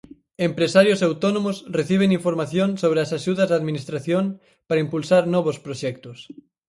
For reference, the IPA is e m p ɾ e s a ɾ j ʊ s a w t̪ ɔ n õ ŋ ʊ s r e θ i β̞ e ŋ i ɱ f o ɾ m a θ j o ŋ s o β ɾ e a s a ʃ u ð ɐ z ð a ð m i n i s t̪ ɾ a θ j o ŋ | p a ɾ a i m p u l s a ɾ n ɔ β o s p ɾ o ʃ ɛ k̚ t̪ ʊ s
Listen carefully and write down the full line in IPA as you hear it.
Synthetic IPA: e m p ɾ e s a ɾ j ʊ s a w t̪ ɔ n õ m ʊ s r e θ i β̞ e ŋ i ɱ f o ɾ m a θ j o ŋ s o β ɾ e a s a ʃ u ð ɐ z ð a ð m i n i s t̪ ɾ a θ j o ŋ | p a ɾ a i m p u l s a ɾ n ɔ β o s p ɾ o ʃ ɛ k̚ t̪ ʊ s

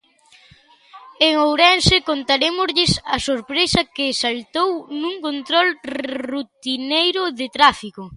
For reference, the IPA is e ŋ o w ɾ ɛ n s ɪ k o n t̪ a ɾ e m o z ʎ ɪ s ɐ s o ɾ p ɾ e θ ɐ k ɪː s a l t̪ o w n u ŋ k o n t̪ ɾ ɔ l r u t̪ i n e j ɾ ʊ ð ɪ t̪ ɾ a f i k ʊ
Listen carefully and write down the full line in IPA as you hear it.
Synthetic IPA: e ŋ o w ɾ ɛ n s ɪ k o n t̪ a ɾ e m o z ʎ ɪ s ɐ s o ɾ p ɾ e s ɐ k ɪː s a l t̪ o w n u ŋ k o n t̪ ɾ ɔ l r u t̪ i n e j ɾ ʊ ð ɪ t̪ ɾ a f i k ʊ

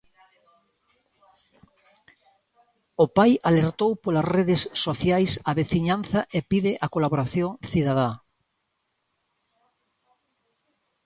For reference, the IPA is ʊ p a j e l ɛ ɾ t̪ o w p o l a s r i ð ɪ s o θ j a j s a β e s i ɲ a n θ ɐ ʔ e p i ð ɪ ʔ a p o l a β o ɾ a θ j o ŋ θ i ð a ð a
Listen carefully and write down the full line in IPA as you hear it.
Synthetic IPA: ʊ p a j a l e ɾ t̪ o w p o l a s r e ð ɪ sː o θ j a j s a β e θ i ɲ a n θ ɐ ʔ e p i ð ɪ ʔ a k o l a β o ɾ a θ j o ŋ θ i ð a ð a

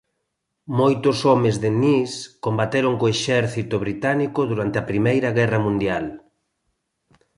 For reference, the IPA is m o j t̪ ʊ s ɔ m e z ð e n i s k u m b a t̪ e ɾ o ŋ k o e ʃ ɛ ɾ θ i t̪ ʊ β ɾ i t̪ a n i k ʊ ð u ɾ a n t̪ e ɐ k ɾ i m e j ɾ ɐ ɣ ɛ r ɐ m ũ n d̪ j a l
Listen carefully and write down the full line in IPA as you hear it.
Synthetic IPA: m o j t̪ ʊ s ɔ m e z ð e n i s k o m b a t̪ e ɾ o ŋ k o e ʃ ɛ ɾ θ i t̪ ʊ β ɾ i t̪ a n i k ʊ ð u ɾ a n t̪ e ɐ p ɾ i m e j ɾ ɐ ɣ ɛ r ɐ m ũ n d̪ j a l

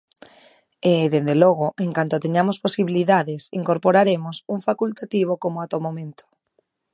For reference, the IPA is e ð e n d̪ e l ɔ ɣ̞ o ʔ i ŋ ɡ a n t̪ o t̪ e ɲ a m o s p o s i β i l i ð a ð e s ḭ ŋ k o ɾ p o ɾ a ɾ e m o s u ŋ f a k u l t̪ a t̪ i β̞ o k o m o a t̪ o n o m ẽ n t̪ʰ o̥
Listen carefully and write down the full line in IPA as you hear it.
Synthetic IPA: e ð e n d̪ e l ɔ ɣ̞ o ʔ e ŋ k a n t̪ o t̪ e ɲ a m o s p o s i β i l i ð a ð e s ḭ ŋ k o ɾ p o ɾ a ɾ e m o s u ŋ f a k u l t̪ a t̪ i β̞ o k o m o a t̪ o m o m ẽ n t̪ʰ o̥

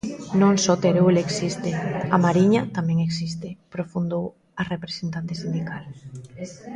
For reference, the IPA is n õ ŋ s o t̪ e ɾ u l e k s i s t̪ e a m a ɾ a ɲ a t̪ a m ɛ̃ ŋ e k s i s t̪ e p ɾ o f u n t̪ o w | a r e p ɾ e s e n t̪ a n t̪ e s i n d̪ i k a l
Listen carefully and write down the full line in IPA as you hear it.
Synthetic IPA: n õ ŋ s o t̪ e ɾ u l e k s i s t̪ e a m a ɾ i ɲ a t̪ a m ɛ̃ ŋ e k s i s t̪ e p ɾ o f u n d̪ o w | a r e p ɾ e s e n t̪ a n t̪ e s i n d̪ i k a l

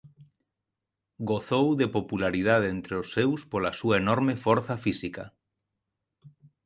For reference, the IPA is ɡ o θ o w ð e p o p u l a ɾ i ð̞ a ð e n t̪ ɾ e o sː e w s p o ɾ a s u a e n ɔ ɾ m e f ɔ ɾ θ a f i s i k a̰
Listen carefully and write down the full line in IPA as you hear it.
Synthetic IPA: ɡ o θ o w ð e p o p u l a ɾ i ð̞ a ð e n t̪ ɾ e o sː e w s p o l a s u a e n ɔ ɾ m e f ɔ ɾ θ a f i s i k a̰

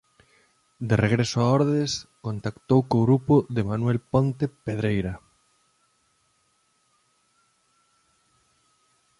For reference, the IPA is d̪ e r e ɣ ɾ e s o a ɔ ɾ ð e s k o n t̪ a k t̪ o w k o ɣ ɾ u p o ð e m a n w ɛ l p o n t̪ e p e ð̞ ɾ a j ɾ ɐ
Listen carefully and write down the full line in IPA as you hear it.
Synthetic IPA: d̪ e r e ɣ ɾ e s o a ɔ ɾ ð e s k o n t̪ a k t̪ o w k o ɣ ɾ u p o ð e m a n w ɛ l p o n t̪ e p e ð̞ ɾ e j ɾ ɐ

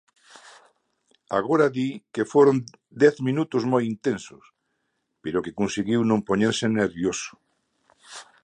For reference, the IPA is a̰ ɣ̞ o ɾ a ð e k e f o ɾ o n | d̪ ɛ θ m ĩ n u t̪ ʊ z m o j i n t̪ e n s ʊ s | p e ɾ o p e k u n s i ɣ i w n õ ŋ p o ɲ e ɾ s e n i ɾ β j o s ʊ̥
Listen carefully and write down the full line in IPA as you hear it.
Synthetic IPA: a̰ ɣ̞ o ɾ a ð i k e f o ɾ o n | d̪ ɛ θ m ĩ n u t̪ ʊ z m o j i n t̪ e n s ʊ s | p e ɾ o k e k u n s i ɣ i w n õ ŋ p o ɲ e ɾ s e n e ɾ β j o s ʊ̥

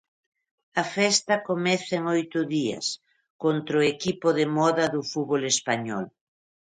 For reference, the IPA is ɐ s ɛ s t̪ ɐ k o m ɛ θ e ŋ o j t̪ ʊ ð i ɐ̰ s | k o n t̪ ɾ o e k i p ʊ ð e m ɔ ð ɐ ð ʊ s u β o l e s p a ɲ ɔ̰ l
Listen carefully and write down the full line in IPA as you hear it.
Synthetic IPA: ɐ f ɛ s t̪ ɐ k o m ɛ θ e ŋ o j t̪ ʊ ð i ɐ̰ s | k o n t̪ ɾ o e k i p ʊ ð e m ɔ ð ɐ ð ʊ f u β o l e s p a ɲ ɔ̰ l

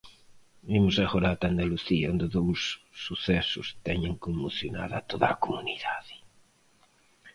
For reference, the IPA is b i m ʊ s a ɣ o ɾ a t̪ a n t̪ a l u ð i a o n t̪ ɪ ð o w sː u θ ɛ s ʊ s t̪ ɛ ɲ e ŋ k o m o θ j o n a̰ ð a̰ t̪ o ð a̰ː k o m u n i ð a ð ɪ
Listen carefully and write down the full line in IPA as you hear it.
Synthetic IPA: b i m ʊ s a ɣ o ɾ a t̪ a n d̪ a l u θ i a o n d̪ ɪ ð o w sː u θ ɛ s ʊ s t̪ ɛ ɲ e ŋ k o m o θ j o n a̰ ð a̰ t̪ o ð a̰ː k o m u n i ð a ð ɪ

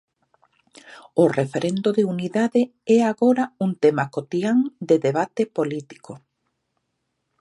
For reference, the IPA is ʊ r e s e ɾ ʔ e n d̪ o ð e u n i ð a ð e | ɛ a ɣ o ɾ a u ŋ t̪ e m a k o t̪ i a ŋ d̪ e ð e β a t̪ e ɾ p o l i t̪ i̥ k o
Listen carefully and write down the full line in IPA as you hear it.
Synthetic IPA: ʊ r e f e ɾ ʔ e n d̪ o ð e u n i ð a ð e | ɛ a ɣ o ɾ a u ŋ t̪ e m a k o t̪ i a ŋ d̪ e ð e β a t̪ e p o l i t̪ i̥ k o

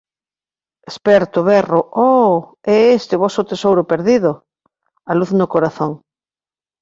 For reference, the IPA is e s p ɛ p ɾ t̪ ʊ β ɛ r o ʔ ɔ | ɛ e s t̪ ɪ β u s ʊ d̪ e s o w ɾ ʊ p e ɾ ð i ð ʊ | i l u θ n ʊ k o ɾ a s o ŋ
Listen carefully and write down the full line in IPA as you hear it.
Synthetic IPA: e s p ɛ ɾ t̪ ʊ β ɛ r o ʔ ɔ | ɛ e s t̪ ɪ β ɔ s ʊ t̪ e s o w ɾ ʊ p e ɾ ð i ð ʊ | a l u θ n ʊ k o ɾ a θ o ŋ

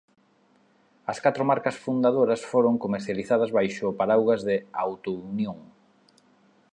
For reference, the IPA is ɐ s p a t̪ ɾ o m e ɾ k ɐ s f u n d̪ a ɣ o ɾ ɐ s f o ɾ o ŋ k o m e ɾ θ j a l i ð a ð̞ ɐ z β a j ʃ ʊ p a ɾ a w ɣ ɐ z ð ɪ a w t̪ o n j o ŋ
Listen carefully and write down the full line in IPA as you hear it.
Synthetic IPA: ɐ s k a t̪ ɾ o m a ɾ k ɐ s f u n d̪ a ð o ɾ ɐ s f o ɾ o ŋ k o m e ɾ θ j a l i θ a ð̞ ɐ z β a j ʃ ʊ p a ɾ a w ɣ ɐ z ð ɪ a w t̪ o n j o ŋ

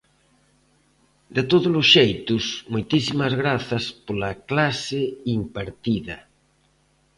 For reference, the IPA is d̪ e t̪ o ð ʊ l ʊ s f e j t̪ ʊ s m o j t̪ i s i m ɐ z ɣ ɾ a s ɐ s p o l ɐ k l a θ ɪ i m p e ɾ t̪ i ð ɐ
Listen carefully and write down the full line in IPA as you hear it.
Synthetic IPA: d̪ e t̪ o ð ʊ l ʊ s ʃ e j t̪ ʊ s m o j t̪ i s i m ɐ z ɣ ɾ a θ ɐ s p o l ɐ k l a s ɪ i m p a ɾ t̪ i ð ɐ

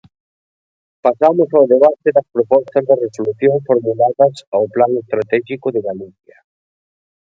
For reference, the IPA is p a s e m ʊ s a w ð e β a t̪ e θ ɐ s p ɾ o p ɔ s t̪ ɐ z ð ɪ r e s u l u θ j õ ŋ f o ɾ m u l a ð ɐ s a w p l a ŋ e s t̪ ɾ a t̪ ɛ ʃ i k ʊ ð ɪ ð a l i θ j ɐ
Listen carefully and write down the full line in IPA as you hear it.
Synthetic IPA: p a s a m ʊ s a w ð e β a t̪ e ð ɐ s p ɾ o p ɔ s t̪ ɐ z ð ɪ r e s o l u θ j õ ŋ f o ɾ m u l a ð ɐ s a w p l a ŋ e s t̪ ɾ a t̪ ɛ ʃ i k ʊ ð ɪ ɣ a l i θ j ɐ

